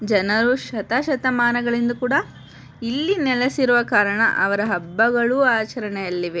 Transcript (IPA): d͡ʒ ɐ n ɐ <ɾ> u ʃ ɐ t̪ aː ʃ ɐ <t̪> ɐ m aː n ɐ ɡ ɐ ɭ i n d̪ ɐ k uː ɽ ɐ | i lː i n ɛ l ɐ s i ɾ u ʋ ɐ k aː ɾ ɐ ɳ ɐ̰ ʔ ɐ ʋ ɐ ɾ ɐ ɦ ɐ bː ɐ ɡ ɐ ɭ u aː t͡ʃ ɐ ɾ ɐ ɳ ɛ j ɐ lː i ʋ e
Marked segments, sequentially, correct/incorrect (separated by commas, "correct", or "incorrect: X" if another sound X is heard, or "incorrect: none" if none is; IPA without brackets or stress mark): correct, correct